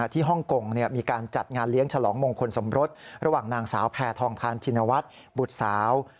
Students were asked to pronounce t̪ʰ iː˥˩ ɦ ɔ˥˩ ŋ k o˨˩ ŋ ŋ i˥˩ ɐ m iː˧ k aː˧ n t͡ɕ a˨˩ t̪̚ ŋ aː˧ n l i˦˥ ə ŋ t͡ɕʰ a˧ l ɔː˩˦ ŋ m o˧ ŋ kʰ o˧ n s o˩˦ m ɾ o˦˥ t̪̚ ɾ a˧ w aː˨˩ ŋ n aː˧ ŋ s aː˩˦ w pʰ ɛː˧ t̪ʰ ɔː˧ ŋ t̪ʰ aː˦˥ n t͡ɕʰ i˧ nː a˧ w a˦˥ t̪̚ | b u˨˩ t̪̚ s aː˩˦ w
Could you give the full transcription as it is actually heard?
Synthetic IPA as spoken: t̪ʰ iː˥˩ ɦ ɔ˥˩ ŋ k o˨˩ ŋ n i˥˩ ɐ m iː˧ k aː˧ n t͡ɕ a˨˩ t̪̚ ŋ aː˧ n l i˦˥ ə ŋ t͡ɕʰ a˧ l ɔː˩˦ ŋ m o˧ ŋ kʰ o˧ n s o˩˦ m ɾ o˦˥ t̪̚ ɾ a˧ w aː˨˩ ŋ n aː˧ ŋ s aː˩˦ w pʰ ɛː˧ t̪ʰ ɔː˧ ŋ t̪ʰ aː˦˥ n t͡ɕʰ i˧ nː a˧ w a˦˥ t̪̚ | b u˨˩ t̪̚ s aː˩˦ w